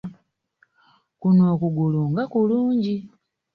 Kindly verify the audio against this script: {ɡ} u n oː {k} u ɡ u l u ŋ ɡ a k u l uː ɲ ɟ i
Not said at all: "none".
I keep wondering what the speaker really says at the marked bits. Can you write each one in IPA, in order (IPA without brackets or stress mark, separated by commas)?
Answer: k, k